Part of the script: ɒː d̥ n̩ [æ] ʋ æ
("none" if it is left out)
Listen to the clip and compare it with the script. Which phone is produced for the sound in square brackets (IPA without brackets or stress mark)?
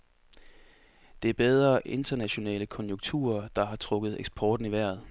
i